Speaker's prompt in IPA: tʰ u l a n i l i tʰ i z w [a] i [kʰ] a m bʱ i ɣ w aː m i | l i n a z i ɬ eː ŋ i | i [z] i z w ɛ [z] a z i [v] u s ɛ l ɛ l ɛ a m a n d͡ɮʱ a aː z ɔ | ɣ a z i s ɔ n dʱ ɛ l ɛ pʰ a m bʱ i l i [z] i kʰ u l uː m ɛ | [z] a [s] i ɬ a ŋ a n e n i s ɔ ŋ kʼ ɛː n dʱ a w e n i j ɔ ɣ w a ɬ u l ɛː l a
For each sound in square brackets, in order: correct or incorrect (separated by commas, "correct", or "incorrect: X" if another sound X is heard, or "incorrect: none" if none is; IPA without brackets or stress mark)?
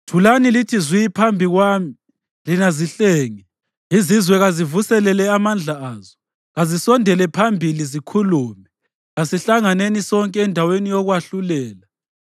incorrect: i, incorrect: pʰ, correct, incorrect: ɣ, correct, correct, incorrect: ɣ, correct